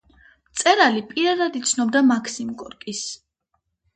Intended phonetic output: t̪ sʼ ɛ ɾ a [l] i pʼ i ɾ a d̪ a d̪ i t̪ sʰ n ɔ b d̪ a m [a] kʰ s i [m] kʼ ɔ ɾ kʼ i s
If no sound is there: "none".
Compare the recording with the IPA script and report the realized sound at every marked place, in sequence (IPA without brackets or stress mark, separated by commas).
l, a, m